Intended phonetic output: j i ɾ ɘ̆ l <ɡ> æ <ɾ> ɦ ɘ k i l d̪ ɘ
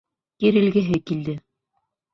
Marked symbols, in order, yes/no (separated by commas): yes, no